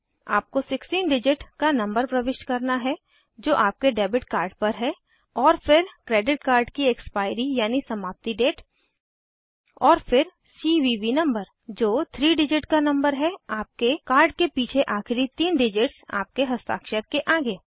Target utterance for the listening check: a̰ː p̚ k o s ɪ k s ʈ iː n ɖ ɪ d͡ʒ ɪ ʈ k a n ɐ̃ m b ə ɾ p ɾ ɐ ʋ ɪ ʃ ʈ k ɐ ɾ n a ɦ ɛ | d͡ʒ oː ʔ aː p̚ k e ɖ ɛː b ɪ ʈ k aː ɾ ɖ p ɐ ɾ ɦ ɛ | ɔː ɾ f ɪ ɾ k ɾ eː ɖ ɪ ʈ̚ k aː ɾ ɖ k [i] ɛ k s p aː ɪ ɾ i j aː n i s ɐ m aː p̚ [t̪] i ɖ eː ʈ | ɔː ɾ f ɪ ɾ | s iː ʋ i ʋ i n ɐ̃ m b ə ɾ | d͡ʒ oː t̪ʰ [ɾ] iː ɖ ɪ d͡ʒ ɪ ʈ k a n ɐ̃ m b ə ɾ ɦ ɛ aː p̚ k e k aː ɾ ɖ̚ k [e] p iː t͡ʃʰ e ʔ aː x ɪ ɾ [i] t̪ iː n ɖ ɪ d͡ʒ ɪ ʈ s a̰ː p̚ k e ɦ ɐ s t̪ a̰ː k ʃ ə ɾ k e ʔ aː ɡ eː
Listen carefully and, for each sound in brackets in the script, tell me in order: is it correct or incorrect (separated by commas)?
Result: correct, correct, correct, correct, correct